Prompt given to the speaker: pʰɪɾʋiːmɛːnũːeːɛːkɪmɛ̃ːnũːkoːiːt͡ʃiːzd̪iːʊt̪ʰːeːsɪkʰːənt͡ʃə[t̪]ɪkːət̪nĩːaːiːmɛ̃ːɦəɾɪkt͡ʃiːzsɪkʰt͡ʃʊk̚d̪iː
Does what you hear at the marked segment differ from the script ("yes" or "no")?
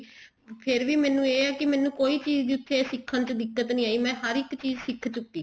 yes